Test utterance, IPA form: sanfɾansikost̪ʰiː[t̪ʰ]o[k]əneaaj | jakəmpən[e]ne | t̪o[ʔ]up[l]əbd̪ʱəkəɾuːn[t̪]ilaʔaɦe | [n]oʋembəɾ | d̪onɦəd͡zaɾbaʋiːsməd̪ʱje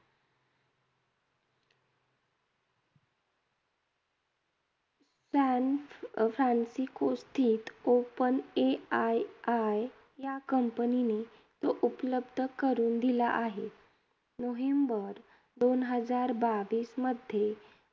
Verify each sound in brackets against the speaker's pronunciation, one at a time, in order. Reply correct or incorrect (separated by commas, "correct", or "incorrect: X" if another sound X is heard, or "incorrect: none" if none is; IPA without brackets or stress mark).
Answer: incorrect: t̪, incorrect: p, incorrect: i, correct, correct, incorrect: d̪, correct